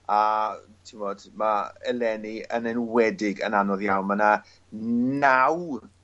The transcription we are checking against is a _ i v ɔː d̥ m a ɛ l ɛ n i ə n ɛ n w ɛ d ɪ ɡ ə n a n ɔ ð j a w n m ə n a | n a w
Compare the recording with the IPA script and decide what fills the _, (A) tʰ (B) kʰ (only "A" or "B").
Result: A